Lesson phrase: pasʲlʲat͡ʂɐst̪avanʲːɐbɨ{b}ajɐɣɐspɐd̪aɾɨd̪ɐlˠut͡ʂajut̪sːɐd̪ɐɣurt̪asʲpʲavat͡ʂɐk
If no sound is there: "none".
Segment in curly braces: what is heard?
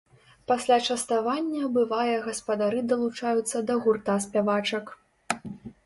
v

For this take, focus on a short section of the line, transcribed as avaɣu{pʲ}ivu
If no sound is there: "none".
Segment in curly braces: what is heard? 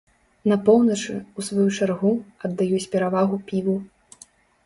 pʲ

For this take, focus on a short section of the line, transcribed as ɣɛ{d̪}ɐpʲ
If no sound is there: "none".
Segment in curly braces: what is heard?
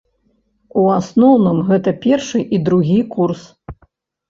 t̪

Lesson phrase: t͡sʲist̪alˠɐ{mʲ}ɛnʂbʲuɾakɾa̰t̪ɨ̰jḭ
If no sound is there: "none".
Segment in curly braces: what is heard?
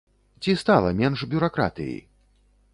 mʲ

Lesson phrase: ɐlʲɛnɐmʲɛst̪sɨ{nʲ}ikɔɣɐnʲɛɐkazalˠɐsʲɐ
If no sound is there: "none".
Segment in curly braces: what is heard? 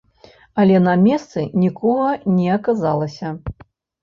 nʲ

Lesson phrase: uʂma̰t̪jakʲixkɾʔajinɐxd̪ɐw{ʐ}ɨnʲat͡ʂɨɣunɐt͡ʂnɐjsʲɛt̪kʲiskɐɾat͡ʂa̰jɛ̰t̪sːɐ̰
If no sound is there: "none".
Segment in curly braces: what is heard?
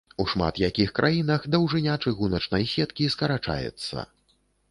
ʐ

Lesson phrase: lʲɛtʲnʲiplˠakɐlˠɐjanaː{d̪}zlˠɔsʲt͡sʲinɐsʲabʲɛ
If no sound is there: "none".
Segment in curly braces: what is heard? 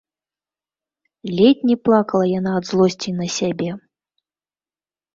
d̪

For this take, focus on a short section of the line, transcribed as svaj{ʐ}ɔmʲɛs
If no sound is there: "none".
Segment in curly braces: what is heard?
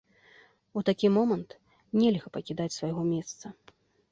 ɣ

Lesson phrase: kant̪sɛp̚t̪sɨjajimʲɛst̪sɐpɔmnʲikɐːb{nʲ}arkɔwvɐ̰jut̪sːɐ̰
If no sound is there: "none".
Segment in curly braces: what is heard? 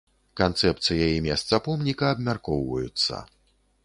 mʲ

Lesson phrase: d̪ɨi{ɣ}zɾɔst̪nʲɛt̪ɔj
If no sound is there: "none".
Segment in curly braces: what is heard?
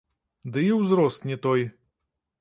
w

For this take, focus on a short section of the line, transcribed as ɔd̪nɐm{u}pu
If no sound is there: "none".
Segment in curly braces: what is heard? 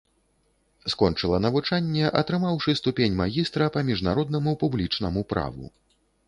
u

